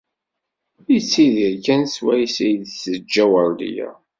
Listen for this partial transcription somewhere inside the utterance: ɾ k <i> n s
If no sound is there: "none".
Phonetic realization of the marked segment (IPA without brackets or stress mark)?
æ